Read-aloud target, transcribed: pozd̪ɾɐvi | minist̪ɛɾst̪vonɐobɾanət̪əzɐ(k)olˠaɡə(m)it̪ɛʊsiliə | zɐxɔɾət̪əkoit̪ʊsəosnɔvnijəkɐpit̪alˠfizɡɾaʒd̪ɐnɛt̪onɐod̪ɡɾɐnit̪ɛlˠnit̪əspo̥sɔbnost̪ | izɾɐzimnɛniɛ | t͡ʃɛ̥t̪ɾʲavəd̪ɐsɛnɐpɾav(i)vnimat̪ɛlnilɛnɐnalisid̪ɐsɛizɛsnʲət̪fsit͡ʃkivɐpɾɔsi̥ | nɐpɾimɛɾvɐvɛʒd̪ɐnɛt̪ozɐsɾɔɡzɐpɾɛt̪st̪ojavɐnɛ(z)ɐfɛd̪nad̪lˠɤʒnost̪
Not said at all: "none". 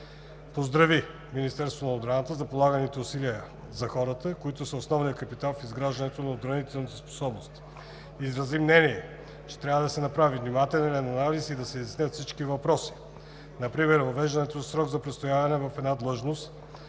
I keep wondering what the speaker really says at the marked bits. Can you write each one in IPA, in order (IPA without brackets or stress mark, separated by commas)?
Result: p, n, i, v